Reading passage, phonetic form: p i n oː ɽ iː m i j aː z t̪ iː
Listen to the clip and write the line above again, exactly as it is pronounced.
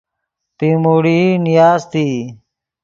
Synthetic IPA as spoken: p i m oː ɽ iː n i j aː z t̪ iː